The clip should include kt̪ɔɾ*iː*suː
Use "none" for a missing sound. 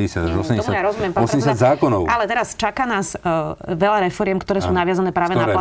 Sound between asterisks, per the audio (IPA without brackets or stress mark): ɛː